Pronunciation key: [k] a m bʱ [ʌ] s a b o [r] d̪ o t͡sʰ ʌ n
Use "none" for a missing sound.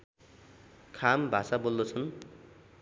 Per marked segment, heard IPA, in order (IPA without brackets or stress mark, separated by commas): kʰ, a, l